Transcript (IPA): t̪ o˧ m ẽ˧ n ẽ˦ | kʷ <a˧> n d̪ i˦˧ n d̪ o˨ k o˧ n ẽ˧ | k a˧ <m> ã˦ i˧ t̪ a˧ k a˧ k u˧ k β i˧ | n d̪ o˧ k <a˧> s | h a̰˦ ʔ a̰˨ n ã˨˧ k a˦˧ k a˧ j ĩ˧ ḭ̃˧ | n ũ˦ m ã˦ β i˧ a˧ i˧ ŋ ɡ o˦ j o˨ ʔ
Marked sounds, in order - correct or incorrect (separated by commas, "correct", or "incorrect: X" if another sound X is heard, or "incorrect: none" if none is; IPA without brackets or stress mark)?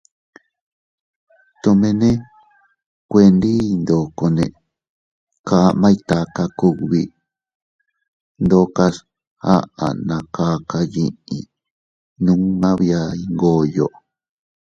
incorrect: e˧, correct, correct